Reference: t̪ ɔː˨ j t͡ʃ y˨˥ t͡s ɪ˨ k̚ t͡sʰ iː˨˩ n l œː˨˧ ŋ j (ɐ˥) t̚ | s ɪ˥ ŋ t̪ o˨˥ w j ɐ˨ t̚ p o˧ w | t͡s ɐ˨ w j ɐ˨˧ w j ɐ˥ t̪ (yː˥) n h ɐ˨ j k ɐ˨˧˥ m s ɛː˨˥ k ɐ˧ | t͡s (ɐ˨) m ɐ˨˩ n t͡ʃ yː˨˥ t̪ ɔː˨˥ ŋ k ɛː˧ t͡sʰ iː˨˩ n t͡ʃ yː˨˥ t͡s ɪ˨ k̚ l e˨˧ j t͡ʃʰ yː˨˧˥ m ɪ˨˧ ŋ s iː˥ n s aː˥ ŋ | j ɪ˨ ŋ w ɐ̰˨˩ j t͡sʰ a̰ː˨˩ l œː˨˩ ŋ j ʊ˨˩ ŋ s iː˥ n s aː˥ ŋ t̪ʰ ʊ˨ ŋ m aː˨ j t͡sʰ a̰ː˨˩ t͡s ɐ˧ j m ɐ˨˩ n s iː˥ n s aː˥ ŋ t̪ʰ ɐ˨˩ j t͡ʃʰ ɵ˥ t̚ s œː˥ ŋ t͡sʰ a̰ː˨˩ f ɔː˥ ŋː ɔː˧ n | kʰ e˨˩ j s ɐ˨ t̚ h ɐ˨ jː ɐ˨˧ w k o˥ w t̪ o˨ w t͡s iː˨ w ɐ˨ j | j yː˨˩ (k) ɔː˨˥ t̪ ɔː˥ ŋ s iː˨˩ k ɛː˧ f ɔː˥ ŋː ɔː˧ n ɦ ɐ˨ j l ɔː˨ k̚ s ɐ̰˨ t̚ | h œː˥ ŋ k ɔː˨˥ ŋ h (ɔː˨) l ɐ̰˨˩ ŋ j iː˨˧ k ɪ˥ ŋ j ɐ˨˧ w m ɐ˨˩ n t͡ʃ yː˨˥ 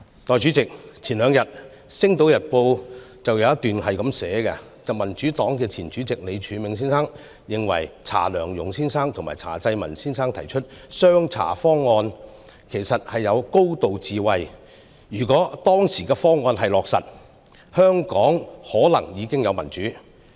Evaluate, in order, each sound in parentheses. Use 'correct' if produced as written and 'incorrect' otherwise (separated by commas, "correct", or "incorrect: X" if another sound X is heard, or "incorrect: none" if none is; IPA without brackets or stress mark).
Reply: incorrect: ɐ˨, incorrect: yː˨, correct, correct, incorrect: ɔː˨˥